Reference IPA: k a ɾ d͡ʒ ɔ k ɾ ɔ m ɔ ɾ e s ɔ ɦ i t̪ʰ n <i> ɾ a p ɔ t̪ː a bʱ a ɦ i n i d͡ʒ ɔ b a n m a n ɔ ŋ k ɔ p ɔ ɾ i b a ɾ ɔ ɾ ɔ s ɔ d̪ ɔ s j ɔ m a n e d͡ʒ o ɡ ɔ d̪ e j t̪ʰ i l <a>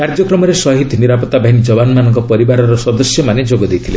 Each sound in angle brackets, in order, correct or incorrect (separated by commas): correct, incorrect